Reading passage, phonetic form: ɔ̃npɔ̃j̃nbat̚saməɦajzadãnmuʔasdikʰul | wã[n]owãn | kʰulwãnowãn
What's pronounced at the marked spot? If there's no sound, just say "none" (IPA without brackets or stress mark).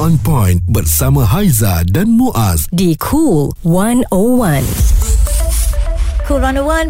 n